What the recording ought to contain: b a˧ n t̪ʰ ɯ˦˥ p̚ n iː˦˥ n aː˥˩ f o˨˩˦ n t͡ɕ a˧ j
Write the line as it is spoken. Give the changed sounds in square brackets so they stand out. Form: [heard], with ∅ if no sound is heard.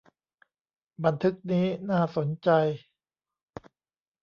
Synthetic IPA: b a˧ n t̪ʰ ɯ˦˥ [k̚] n iː˦˥ n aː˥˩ [s] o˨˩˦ n t͡ɕ a˧ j